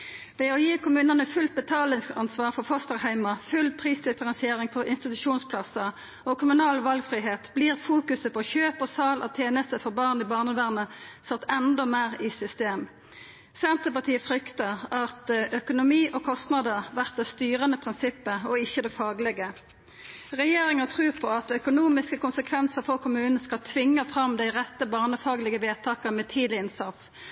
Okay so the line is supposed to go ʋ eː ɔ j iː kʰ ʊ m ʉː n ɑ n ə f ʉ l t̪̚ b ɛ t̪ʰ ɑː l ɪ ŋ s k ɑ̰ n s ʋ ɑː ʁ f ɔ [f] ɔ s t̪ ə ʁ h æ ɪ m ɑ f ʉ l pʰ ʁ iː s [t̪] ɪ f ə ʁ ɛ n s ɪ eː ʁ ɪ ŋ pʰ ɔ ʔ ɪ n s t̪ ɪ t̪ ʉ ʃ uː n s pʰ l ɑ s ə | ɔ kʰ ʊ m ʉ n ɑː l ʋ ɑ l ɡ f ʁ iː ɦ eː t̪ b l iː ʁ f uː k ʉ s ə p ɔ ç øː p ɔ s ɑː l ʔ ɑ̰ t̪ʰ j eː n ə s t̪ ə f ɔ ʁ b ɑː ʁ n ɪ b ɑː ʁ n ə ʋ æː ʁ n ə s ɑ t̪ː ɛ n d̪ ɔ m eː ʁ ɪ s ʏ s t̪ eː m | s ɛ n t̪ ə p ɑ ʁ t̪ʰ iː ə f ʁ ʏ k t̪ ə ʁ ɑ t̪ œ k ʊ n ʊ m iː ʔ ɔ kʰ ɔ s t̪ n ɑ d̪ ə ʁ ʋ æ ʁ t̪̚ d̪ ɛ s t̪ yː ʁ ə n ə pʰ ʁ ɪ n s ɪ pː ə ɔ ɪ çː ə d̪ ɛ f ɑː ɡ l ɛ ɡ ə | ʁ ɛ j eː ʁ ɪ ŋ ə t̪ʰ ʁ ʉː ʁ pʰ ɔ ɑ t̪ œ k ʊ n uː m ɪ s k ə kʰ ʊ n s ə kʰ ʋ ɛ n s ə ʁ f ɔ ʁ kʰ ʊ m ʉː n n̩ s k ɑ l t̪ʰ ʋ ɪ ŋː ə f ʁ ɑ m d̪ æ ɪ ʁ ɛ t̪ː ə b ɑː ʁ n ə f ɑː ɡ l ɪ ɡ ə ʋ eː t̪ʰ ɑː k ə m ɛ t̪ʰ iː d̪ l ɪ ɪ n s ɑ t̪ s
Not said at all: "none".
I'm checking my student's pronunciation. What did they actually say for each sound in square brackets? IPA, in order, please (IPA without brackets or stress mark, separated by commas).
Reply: f, d̪